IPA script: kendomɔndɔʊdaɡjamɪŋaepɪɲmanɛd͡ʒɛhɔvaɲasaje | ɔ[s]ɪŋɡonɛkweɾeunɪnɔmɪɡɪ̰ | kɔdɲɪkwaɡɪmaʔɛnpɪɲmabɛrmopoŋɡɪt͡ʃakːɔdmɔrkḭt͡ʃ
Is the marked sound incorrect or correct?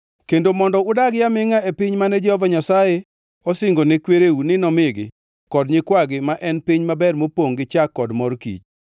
correct